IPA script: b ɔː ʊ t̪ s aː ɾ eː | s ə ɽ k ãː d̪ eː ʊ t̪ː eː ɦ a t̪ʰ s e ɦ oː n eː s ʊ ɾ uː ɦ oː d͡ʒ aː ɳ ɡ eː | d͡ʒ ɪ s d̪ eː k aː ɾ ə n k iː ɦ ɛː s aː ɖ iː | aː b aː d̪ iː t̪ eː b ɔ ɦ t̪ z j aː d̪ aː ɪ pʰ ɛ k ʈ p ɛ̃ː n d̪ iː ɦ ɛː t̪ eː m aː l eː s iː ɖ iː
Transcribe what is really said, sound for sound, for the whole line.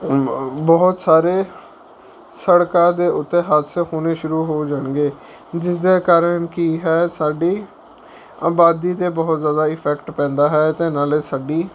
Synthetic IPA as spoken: b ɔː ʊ t̪ s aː ɾ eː | s ə ɽ k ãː d̪ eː ʊ t̪ː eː ɦ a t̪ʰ s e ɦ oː n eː ʃ ʊ ɾ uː ɦ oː d͡ʒ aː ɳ ɡ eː | d͡ʒ ɪ s d̪ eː k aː ɾ ə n k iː ɦ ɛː s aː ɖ iː | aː b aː d̪ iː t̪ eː b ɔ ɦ t̪ z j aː d̪ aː ɪ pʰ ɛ k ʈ p ɛ̃ː n d̪ aː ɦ ɛː t̪ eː n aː l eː s aː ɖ iː

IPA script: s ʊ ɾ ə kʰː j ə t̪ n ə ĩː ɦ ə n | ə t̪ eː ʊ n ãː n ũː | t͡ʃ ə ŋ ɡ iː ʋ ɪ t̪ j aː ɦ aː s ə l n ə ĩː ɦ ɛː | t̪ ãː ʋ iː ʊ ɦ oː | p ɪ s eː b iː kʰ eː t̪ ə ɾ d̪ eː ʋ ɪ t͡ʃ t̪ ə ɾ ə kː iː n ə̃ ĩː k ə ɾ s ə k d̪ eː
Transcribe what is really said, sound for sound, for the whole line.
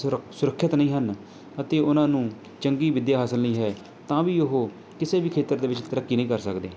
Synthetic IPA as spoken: s ʊ ɾ ə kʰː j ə t̪ n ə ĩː ɦ ə n | ə t̪ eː ʊ n ãː n ũː | t͡ʃ ə ŋ ɡ iː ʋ ɪ d̪ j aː ɦ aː s ə l n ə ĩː ɦ ɛː | t̪ ãː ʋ iː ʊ ɦ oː | k ɪ s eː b iː kʰ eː t̪ ə ɾ d̪ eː ʋ ɪ t͡ʃ t̪ ə ɾ ə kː iː n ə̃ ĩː k ə ɾ s ə k d̪ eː

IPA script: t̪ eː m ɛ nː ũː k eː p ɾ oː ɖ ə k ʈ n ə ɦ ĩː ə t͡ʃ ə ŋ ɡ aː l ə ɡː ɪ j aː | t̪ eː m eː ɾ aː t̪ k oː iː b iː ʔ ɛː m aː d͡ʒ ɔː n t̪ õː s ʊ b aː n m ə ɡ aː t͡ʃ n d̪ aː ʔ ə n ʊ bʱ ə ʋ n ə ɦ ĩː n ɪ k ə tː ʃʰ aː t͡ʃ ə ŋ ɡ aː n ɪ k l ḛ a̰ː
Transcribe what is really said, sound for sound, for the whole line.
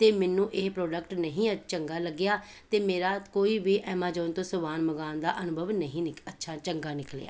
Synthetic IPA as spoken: t̪ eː m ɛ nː ũː ʔ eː p ɾ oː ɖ ə k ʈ n ə ɦ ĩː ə t͡ʃ ə ŋ ɡ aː l ə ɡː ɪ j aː | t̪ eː m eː ɾ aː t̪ k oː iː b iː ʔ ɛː m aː d͡ʒ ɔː n t̪ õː s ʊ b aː n m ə ɡ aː n d̪ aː ʔ ə n ʊ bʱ ə ʋ n ə ɦ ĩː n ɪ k ə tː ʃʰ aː t͡ʃ ə ŋ ɡ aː n ɪ k l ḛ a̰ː

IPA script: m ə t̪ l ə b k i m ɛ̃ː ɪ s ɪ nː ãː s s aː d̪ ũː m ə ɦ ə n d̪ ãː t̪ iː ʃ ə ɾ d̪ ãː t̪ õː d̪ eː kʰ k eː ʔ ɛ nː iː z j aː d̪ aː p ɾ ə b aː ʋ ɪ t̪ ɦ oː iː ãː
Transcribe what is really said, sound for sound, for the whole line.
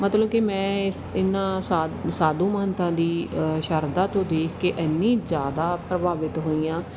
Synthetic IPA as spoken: m ə t̪ l ə b k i m ɛ̃ː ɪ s ɪ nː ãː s s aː d̪ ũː m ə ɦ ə n t̪ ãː d̪ iː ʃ ə ɾ d̪ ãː t̪ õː d̪ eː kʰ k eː ʔ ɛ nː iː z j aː d̪ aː p ɾ ə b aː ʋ ɪ t̪ ɦ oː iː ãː

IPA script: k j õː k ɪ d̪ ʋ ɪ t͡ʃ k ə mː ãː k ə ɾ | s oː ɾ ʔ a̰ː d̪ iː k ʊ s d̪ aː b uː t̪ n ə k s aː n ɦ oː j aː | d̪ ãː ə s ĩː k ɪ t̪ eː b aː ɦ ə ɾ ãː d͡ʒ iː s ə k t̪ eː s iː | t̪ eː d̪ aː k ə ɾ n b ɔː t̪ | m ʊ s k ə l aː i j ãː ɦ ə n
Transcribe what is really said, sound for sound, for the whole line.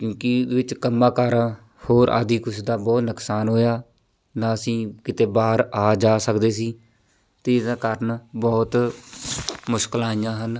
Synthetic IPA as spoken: k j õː k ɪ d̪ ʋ ɪ t͡ʃ k ə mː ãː k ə ɾ | h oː ɾ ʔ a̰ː d̪ iː k ʊ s d̪ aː b ɔː t̪ n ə k s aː n ɦ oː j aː | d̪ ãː ə s ĩː k ɪ t̪ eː b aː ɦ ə ɾ aː d͡ʒ aː s ə k d̪ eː s iː | t̪ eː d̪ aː k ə ɾ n b ɔː t̪ | m ʊ ʃ k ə l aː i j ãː ɦ ə n

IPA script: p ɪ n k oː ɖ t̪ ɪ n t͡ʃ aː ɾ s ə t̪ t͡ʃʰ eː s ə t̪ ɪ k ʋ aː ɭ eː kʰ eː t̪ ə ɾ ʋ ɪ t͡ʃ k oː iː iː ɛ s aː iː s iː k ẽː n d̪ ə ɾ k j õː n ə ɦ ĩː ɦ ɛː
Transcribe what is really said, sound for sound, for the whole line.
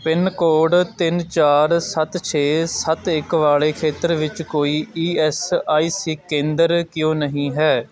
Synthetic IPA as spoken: p ɪ n k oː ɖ t̪ ɪ n t͡ʃ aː ɾ s ə t̪ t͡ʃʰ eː s ə t̪ ɪ k ʋ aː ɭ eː kʰ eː t̪ ə ɾ ʋ ɪ t͡ʃ k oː iː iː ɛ s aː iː s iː k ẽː n d̪ ə ɾ k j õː n ə ɦ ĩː ɦ ɛː

